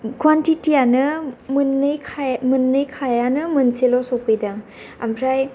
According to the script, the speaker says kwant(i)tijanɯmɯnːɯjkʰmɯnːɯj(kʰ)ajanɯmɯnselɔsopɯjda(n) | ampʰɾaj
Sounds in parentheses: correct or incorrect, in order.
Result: correct, correct, incorrect: ŋ

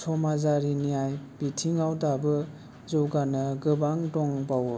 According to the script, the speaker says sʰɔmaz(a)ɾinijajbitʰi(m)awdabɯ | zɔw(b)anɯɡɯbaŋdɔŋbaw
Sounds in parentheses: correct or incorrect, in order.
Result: correct, incorrect: ŋ, incorrect: ɡ

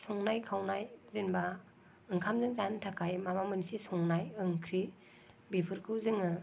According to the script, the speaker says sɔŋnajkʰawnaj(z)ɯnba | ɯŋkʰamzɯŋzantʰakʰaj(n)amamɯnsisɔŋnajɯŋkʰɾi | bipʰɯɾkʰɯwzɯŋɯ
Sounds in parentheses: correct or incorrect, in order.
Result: correct, incorrect: m

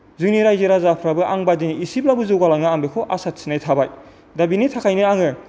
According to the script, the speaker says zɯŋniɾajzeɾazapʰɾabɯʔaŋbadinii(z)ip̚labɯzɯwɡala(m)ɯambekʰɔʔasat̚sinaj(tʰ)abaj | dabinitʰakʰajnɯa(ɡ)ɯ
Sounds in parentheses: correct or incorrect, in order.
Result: incorrect: s, incorrect: ŋ, correct, incorrect: ŋ

